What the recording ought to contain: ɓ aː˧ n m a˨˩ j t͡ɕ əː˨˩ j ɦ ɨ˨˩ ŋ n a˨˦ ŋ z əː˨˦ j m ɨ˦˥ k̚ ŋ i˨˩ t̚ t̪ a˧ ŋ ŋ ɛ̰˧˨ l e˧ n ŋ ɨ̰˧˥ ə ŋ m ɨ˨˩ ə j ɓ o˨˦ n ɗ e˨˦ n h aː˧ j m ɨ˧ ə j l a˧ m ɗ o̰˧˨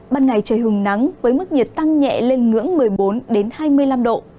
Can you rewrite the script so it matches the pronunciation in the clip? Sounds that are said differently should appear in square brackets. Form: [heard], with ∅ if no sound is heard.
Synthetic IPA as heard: ɓ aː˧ n [ŋ] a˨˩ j t͡ɕ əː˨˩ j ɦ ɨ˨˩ ŋ n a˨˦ ŋ [v] əː˨˦ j m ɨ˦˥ k̚ [ɲ] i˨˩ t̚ t̪ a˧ ŋ [ɲ] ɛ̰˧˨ l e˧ n ŋ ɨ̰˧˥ ə ŋ m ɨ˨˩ ə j ɓ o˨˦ n ɗ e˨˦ n h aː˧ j m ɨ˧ ə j l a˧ m ɗ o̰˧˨